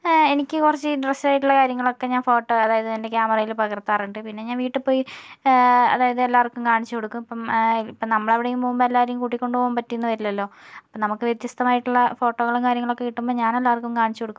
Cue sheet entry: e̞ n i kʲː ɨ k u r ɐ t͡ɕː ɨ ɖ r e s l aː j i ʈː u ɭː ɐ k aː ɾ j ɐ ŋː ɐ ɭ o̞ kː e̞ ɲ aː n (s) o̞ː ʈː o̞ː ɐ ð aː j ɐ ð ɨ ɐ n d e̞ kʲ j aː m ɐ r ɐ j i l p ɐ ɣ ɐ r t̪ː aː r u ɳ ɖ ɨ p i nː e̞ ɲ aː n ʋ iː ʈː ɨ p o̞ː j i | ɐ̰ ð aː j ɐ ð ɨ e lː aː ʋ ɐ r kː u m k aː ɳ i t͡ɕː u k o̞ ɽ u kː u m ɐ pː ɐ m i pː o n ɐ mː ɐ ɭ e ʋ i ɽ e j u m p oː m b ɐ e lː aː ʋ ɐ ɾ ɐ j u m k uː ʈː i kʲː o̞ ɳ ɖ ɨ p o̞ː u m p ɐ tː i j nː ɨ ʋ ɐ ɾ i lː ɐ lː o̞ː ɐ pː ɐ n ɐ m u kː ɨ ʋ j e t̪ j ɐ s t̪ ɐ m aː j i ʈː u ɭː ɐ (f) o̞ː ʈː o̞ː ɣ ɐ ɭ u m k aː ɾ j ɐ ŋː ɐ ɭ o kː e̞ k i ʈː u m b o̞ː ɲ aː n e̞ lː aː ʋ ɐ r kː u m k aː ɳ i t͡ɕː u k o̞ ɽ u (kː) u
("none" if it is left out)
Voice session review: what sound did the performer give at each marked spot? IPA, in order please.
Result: f, f, kː

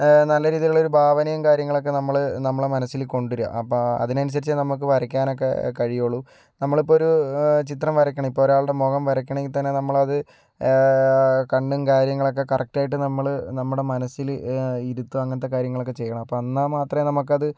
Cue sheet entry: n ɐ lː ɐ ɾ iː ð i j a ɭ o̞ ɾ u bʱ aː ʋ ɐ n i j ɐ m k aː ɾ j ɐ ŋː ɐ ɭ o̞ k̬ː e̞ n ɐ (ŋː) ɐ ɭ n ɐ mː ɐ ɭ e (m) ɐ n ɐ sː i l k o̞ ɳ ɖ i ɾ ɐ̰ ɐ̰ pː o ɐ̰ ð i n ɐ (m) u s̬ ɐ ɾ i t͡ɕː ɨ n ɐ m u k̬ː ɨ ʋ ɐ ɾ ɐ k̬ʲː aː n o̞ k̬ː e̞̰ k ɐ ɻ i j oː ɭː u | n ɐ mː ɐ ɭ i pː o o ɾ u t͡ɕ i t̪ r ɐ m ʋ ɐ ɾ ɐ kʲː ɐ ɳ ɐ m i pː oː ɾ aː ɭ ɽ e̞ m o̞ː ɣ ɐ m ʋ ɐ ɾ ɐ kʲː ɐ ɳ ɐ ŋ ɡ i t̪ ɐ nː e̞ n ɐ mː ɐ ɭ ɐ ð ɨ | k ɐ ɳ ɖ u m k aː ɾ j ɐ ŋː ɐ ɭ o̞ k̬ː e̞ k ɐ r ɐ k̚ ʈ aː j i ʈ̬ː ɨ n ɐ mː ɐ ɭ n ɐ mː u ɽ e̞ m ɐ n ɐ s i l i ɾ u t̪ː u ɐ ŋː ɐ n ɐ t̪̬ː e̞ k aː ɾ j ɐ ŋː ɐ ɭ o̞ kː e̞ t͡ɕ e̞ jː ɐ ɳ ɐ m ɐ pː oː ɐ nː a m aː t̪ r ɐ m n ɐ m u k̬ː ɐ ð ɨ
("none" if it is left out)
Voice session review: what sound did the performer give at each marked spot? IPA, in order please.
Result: mː, m, n

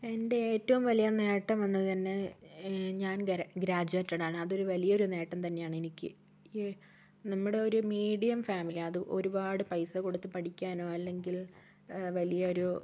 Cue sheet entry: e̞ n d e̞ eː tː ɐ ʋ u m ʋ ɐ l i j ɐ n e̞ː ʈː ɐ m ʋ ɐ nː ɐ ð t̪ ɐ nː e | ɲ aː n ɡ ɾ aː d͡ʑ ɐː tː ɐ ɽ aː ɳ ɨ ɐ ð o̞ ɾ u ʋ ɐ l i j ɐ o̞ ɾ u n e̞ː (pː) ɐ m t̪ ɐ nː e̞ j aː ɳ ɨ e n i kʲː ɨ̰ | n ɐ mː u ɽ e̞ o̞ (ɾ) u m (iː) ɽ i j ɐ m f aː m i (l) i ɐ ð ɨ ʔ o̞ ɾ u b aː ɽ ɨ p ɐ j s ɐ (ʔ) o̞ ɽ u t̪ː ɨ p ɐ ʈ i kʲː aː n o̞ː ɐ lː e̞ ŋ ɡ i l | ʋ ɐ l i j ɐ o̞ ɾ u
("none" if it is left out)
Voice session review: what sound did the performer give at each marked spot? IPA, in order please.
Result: ʈː, ɾ, iː, l, k

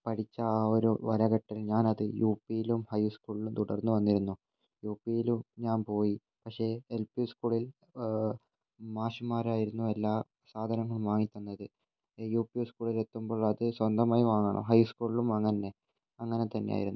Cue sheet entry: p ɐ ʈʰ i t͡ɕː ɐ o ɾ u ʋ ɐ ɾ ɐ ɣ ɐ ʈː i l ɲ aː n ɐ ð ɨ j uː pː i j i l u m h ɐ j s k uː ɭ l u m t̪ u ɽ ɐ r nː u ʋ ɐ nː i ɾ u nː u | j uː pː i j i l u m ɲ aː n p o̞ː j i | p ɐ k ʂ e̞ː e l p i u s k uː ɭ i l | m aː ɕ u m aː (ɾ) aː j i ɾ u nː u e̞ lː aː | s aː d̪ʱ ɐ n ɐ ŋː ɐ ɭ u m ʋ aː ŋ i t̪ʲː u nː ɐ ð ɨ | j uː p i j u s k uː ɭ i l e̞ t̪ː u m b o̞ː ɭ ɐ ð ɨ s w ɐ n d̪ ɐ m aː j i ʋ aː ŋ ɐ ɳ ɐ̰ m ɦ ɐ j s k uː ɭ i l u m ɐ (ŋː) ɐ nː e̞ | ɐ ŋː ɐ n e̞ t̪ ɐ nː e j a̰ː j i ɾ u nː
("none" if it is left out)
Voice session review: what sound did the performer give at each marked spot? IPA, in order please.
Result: ɾ, ŋː

